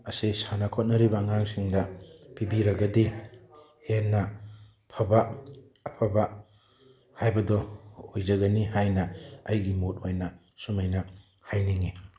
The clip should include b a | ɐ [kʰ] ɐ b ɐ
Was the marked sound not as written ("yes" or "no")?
yes